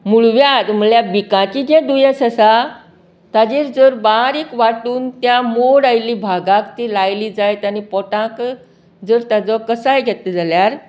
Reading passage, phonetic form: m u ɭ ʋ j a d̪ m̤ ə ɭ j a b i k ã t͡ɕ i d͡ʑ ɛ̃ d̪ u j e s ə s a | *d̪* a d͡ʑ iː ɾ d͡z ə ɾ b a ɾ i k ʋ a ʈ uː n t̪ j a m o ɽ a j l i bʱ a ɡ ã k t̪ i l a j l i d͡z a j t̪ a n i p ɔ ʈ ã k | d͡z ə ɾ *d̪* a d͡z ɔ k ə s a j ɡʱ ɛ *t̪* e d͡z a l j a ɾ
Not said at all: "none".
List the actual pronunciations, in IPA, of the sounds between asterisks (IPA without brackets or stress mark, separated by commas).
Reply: t̪, t̪, t̪